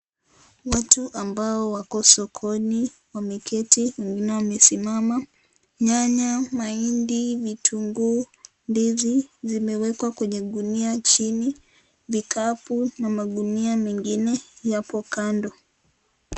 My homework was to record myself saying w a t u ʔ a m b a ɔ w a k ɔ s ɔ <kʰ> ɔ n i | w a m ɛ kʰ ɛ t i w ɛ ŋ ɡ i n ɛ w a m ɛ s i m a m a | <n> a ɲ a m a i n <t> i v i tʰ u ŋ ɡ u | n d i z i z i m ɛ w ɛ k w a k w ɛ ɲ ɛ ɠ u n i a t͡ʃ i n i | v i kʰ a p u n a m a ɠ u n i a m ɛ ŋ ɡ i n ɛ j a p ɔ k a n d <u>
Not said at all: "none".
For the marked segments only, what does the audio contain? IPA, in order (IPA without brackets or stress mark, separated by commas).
kʰ, ɲ, d, ɔ